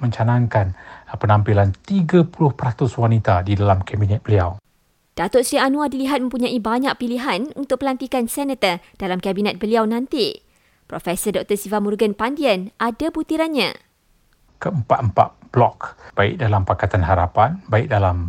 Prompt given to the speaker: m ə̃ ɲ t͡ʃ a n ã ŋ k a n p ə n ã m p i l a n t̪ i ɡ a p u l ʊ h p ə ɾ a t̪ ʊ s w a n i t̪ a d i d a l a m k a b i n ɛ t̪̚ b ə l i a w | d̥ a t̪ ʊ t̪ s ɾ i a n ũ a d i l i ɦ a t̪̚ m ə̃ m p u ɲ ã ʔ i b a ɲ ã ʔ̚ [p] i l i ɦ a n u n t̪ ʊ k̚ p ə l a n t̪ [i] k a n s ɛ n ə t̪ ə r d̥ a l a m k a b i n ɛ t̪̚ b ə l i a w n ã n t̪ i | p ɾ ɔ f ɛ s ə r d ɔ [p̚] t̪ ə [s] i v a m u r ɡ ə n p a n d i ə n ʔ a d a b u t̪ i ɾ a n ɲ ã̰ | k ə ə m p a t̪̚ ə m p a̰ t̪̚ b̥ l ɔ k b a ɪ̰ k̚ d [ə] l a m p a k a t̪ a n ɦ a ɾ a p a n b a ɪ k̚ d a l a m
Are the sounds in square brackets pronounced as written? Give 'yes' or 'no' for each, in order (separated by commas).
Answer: yes, yes, no, yes, no